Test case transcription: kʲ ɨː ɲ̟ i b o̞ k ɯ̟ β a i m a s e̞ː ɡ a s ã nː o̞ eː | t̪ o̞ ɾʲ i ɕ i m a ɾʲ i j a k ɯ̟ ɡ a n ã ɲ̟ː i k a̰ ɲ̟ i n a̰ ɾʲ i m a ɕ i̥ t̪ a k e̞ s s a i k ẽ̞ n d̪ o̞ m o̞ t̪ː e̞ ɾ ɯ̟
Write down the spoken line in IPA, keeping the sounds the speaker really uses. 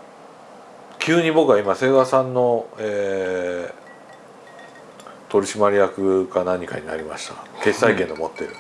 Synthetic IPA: kʲ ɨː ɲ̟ i b o̞ k ɯ̟ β a i m a s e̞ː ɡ a s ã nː o̞ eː | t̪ o̞ ɾʲ i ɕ i m a ɾʲ i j a k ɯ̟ ɡ a n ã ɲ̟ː i k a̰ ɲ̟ i n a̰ ɾʲ i m a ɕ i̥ t̪ a k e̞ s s a i k ẽ̞ n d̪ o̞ m o̞ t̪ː e̞ ɾ ɯ̟